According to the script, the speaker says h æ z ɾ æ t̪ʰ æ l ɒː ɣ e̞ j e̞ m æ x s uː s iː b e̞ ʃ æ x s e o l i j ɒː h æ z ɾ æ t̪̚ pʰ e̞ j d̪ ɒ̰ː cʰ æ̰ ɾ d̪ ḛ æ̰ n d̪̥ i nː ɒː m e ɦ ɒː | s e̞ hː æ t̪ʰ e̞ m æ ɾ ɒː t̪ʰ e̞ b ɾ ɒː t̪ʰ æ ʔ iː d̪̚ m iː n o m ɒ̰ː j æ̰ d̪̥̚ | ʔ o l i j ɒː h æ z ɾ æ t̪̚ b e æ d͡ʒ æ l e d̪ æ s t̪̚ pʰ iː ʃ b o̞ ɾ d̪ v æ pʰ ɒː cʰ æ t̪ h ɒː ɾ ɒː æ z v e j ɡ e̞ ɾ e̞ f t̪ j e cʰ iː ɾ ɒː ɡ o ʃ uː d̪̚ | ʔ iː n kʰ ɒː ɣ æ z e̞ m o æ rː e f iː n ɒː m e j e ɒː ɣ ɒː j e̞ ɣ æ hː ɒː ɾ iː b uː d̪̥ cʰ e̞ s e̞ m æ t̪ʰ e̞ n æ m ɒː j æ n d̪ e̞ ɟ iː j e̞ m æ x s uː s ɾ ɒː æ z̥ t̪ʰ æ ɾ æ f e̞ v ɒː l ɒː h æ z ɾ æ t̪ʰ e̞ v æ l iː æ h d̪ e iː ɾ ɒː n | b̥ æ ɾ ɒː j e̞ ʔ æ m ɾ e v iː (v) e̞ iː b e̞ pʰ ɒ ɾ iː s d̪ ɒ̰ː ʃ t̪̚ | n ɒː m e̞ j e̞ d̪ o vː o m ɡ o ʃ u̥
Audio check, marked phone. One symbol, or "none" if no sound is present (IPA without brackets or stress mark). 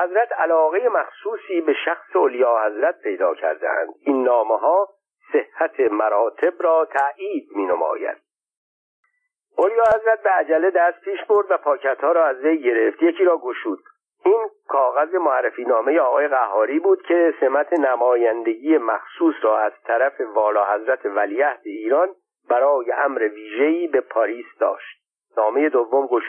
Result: ʒ